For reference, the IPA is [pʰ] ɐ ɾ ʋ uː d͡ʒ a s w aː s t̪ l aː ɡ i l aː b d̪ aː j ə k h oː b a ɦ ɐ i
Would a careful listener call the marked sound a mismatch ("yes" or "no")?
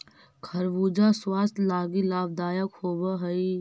yes